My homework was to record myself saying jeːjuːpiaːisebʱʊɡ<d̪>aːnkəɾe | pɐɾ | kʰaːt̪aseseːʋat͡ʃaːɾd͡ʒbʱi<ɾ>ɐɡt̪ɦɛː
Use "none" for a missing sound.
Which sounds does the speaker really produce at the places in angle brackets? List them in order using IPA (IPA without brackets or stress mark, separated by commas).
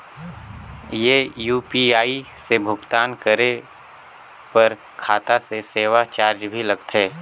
t̪, l